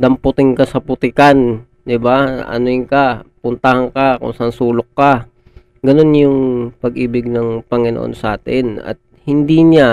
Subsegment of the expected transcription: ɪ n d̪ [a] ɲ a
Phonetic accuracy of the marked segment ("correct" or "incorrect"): incorrect